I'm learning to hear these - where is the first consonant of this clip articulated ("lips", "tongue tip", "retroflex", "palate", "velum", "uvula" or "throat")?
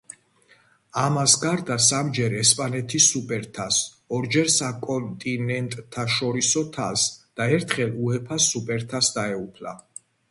lips